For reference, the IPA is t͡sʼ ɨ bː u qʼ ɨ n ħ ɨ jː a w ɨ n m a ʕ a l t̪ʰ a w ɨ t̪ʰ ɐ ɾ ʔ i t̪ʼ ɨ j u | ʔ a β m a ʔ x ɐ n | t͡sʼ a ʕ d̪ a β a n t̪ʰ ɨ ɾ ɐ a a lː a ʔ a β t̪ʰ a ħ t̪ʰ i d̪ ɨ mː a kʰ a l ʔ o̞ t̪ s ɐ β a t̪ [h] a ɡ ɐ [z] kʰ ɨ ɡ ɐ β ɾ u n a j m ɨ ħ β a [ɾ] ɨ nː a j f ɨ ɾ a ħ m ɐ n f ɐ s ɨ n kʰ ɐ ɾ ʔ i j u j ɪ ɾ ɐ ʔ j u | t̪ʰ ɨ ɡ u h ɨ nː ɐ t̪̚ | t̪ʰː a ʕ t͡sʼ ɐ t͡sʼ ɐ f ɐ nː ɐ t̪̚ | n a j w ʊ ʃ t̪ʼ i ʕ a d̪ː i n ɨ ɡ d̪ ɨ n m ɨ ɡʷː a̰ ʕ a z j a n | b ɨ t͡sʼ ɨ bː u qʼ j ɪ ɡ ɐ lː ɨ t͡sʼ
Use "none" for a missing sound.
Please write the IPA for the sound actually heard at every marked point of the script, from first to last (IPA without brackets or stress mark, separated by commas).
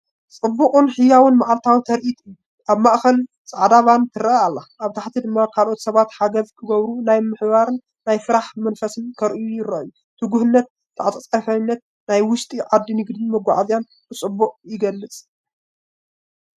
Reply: ħ, z, ɾ